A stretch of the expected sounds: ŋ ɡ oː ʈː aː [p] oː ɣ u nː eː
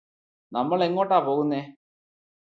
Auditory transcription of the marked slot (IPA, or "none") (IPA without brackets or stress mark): p